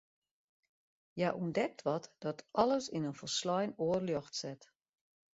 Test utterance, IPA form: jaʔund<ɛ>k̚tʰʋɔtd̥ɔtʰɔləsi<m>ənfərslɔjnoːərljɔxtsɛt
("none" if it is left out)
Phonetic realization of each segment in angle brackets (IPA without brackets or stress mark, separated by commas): ɛ, n